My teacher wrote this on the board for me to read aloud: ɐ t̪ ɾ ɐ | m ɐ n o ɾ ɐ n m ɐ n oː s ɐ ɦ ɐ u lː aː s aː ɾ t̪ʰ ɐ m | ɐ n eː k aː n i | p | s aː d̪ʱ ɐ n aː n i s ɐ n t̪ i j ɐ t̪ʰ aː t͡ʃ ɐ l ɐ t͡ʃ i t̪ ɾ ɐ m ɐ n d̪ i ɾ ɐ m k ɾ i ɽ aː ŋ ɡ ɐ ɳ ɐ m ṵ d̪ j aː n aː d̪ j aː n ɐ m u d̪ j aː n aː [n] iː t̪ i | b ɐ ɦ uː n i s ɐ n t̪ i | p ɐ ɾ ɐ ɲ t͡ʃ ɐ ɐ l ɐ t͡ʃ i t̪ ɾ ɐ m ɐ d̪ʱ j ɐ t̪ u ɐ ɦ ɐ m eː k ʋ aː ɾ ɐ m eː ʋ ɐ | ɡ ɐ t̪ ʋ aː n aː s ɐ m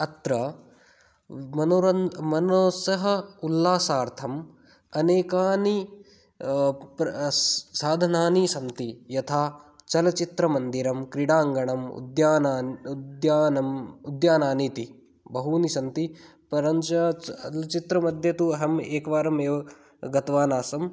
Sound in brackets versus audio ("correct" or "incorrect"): correct